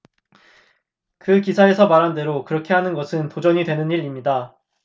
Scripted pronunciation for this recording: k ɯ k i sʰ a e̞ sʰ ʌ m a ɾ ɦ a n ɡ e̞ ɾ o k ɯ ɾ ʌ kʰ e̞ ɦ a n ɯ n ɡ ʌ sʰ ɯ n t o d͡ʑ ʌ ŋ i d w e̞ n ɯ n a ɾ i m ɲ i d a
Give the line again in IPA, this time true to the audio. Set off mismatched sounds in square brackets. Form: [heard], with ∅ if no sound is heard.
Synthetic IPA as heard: k ɯ k i sʰ a e̞ sʰ ʌ m a ɾ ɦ a n [d] e̞ ɾ o k ɯ ɾ ʌ kʰ e̞ ɦ a n ɯ n ɡ ʌ sʰ ɯ n t o d͡ʑ ʌ [ɲ] i d w e̞ n ɯ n [i] ɾ i m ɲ i d a